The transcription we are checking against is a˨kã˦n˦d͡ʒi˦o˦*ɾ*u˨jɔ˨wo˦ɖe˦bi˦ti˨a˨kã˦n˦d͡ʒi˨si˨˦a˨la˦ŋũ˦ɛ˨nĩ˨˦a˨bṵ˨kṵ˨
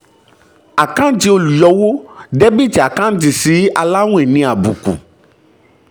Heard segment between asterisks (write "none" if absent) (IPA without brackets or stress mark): l